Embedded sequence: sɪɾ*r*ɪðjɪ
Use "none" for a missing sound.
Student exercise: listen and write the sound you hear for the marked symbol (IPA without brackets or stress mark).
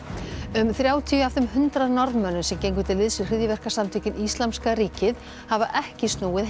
r